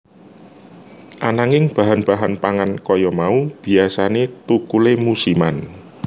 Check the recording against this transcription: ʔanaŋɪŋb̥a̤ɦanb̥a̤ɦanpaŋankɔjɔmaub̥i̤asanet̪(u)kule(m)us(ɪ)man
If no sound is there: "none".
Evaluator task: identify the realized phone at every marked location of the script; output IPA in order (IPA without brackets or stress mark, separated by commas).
u, m, i